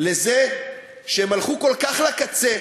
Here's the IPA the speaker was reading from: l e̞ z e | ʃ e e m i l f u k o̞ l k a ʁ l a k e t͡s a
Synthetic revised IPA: l e̞ z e | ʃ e e m a l χ u k o̞ l k a χ l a k a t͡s e